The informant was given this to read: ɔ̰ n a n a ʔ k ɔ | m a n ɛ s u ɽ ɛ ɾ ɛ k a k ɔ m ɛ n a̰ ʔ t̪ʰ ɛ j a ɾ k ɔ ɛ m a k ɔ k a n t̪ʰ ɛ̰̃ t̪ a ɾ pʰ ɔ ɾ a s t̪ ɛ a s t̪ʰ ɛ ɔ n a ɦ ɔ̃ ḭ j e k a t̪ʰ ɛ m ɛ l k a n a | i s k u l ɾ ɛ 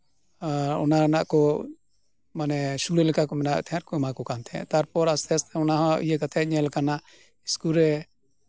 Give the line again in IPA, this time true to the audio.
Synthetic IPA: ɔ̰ n a n a ʔ k ɔ | m a n ɛ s u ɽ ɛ l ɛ k a k ɔ m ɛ n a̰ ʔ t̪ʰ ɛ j a ɾ k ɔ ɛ m a k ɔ k a n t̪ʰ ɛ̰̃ t̪ a ɾ p ɔ ɾ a s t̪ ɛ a s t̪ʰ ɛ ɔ n a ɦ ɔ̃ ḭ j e k a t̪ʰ ɛ ɲ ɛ l k a n a | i s k u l ɾ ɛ